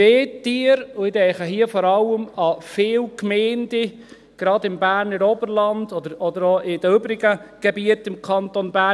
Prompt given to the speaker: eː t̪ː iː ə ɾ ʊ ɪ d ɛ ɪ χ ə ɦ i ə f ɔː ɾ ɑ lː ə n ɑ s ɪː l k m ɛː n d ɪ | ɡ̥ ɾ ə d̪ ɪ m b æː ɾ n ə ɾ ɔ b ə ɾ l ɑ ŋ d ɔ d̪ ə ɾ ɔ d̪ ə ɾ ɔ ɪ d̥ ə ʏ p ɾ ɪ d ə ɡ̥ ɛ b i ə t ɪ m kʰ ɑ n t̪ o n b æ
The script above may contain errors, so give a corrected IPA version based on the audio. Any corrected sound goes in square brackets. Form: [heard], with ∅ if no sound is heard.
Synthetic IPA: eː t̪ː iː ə ɾ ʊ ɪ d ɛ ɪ χ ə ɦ i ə f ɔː ɾ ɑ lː ə [m] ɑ [f] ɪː l k m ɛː n d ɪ | ɡ̥ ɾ [ɑ] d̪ ɪ m b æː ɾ n ə ɾ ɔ b ə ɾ l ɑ [n] d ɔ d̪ ə ɾ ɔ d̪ ə ɾ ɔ ɪ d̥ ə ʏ [b] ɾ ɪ [ɡ] ə ɡ̥ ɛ b i ə t ɪ m kʰ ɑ n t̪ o n b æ